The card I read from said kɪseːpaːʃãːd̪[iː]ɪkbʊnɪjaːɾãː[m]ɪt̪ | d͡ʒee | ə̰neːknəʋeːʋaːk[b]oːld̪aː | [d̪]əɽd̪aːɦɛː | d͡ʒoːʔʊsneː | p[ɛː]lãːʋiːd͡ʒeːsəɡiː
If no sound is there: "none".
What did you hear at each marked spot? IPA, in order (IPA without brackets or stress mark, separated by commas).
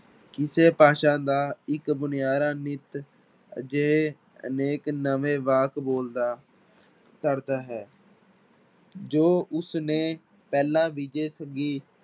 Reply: aː, n, b, t̪, ɛː